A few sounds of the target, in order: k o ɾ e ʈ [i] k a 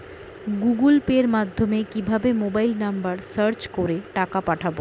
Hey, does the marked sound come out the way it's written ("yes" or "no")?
no